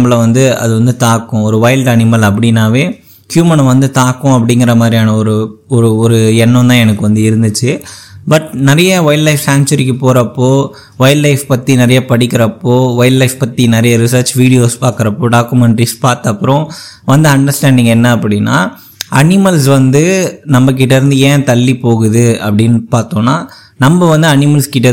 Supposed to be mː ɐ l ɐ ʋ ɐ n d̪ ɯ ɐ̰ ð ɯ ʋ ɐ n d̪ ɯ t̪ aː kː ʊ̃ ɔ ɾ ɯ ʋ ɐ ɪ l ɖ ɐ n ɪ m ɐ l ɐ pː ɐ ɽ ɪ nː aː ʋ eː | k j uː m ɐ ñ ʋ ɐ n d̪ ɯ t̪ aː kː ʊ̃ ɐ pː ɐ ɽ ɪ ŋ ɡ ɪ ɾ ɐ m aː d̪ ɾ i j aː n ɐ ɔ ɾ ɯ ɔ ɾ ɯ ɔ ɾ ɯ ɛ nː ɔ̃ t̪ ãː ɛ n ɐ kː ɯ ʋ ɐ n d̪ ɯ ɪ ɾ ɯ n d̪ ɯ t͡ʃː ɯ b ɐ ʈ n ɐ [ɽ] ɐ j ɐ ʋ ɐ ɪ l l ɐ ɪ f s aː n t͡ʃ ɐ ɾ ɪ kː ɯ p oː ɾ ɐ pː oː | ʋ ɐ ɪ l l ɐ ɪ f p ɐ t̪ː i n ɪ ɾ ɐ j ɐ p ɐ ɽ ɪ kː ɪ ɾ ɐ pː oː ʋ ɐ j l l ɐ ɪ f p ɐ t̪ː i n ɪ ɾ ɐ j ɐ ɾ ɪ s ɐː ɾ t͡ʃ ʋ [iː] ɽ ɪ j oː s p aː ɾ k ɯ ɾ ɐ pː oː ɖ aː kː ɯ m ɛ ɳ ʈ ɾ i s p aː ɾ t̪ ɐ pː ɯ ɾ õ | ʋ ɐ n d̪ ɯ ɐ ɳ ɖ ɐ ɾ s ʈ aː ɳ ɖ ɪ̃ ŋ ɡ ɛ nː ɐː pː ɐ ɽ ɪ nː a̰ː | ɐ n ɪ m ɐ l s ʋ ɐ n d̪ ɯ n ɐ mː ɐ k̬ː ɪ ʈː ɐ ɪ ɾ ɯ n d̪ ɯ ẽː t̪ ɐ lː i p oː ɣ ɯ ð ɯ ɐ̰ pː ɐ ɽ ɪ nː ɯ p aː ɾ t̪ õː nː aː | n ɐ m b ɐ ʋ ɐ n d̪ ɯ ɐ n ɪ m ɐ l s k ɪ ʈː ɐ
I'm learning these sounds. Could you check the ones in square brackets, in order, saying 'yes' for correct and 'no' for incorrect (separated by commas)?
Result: no, yes